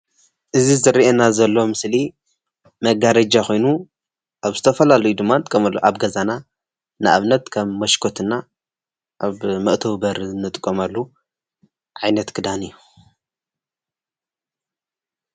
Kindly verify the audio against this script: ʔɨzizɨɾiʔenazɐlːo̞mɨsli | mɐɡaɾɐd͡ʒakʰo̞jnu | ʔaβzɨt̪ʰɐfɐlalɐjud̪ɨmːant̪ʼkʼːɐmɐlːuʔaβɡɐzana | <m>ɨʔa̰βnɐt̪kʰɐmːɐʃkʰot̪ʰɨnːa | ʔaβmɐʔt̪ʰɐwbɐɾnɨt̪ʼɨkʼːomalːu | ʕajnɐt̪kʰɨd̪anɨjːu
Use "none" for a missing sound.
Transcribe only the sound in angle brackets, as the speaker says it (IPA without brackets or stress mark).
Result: n